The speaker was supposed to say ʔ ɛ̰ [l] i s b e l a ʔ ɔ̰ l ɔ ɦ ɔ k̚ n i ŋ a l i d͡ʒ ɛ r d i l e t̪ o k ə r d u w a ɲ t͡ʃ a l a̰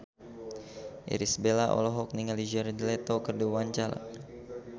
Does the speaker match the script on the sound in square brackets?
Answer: no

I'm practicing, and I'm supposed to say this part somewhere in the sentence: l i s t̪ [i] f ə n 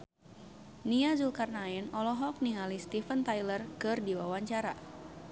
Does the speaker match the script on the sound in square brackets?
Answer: yes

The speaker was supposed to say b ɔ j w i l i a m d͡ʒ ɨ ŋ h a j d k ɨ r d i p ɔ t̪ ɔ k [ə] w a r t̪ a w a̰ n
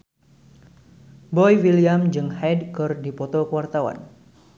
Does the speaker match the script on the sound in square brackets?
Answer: yes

